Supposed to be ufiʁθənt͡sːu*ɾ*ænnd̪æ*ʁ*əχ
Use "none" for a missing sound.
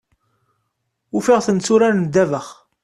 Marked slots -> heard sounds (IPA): ɾ, v

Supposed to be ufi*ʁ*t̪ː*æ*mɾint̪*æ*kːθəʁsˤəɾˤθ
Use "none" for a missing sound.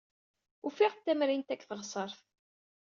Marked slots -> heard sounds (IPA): ʁ, æ, æ

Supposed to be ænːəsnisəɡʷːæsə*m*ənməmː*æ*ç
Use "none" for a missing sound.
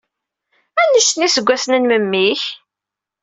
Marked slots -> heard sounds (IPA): n, i

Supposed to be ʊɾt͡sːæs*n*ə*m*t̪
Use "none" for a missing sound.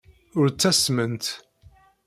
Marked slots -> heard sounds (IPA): m, n

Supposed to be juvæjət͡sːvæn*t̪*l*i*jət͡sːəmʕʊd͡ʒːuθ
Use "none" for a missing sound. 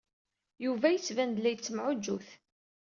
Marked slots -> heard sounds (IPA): d̪, æ

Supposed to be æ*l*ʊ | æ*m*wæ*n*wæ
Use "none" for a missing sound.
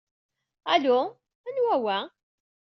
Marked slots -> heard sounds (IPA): l, n, none

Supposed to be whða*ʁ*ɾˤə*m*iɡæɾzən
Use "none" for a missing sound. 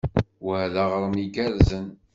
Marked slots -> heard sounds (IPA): ʁ, m

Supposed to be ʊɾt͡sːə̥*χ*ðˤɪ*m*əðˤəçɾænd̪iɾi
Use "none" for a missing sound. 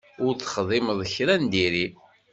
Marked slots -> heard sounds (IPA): χ, m

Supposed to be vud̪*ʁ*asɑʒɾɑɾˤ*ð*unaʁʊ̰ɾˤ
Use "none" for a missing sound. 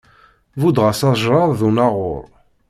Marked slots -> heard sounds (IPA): ʁ, ð

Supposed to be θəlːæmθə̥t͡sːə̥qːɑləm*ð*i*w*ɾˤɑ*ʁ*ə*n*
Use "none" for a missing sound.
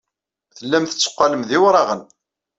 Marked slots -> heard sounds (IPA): ð, w, ʁ, n

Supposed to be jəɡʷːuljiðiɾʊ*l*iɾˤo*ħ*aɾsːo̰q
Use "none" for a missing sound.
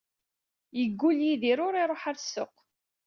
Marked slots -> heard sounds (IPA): ɾ, ħ

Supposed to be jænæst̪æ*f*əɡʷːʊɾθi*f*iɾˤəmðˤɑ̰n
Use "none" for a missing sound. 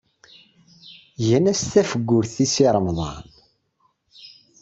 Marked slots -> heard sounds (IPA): f, s

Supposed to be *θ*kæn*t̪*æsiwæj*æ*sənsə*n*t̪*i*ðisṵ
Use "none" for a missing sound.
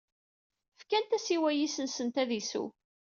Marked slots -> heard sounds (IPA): f, t̪, i, n, æ

